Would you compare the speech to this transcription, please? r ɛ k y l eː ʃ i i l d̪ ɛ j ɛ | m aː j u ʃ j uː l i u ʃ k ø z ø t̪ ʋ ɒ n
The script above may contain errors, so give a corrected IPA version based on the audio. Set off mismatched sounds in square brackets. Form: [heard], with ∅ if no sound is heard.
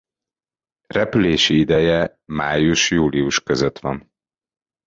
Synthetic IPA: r ɛ [p] y l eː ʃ i i [∅] d̪ ɛ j ɛ | m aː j u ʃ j uː l i u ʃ k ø z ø t̪ ʋ ɒ n